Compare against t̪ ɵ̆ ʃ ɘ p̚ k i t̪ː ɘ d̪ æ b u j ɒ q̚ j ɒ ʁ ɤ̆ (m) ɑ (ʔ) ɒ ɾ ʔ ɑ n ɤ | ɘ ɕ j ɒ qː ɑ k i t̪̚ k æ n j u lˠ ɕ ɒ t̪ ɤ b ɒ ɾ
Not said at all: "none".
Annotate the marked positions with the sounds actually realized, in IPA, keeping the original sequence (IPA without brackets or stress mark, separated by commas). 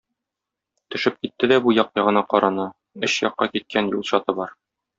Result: n, q